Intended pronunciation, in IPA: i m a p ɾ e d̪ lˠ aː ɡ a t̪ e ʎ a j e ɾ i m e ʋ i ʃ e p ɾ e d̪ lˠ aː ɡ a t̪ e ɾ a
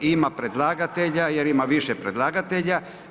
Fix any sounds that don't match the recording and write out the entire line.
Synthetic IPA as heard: i m a p ɾ e d̪ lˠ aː ɡ a t̪ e ʎ a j e ɾ i m a ʋ i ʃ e p ɾ e d̪ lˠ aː ɡ a t̪ e ʎ a